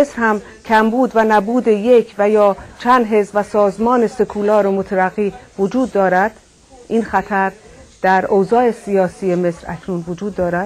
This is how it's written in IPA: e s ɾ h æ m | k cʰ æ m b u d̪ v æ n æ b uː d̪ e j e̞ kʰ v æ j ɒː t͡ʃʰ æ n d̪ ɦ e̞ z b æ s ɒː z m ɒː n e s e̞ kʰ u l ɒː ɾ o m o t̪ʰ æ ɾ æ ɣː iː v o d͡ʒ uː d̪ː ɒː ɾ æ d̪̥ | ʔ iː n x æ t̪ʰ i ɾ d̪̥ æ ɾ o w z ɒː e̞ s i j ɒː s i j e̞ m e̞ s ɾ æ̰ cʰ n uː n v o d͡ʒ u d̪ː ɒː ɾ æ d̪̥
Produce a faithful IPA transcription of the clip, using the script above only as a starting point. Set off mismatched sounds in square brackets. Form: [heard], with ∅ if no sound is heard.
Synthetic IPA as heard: e s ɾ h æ m | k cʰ æ m b [uː] d̪ v æ n æ b uː d̪ e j e̞ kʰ v æ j ɒː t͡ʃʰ æ n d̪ ɦ e̞ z [v] æ s ɒː z m ɒː n e s e̞ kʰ u l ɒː ɾ o m o t̪ʰ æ ɾ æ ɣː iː v o d͡ʒ uː d̪ː ɒː ɾ æ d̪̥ | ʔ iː n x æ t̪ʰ [æ] ɾ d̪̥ æ ɾ o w z ɒː e̞ s i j ɒː s i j e̞ m e̞ s ɾ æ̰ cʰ n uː n v o d͡ʒ [uː] d̪ː ɒː ɾ æ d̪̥